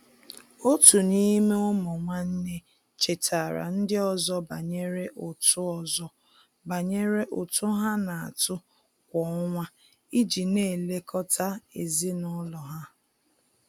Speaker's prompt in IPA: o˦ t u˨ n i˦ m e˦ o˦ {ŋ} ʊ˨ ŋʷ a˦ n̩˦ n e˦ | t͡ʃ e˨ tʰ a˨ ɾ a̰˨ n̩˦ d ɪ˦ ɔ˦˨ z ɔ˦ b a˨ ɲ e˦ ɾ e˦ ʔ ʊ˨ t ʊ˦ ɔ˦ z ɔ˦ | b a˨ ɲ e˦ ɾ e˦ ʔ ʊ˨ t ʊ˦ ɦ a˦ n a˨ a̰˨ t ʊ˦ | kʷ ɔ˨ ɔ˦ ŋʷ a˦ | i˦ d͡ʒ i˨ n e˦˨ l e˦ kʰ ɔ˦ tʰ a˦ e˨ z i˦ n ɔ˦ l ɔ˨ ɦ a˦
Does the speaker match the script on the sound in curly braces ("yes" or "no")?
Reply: no